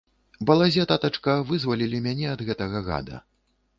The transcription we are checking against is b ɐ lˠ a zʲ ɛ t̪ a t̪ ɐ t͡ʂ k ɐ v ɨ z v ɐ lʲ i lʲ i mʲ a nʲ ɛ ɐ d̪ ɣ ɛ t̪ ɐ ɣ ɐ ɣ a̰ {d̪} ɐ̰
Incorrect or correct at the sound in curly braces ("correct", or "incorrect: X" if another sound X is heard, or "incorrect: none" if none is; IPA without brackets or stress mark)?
correct